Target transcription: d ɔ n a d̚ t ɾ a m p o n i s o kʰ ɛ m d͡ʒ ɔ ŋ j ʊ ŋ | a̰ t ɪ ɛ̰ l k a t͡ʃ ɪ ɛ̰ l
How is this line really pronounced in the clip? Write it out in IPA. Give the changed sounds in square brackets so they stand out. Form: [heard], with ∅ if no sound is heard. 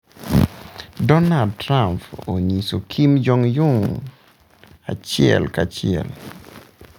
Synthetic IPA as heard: d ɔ n a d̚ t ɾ a m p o [ɲ] i s o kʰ [i] m d͡ʒ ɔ ŋ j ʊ ŋ | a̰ [t͡ʃ] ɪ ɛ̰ l k a t͡ʃ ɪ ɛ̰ l